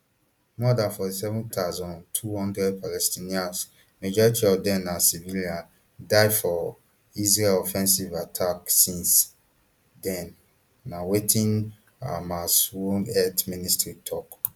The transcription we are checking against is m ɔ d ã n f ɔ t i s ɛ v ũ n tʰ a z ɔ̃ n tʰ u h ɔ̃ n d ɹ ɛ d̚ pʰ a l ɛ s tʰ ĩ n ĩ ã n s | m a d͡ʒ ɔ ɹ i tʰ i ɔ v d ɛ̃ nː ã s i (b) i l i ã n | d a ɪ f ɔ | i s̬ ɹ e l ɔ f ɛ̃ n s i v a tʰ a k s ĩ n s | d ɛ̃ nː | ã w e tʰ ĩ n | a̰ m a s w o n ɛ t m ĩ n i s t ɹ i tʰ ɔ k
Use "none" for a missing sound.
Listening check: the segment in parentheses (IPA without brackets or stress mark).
v